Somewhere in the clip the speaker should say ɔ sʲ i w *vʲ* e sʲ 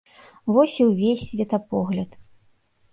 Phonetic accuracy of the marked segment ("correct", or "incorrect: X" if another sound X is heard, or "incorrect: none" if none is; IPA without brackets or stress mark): correct